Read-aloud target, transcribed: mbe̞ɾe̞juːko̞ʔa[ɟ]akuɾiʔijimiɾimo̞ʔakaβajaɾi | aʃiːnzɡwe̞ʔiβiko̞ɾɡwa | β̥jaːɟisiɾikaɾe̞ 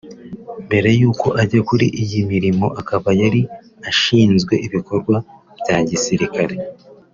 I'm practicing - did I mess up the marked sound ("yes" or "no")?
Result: no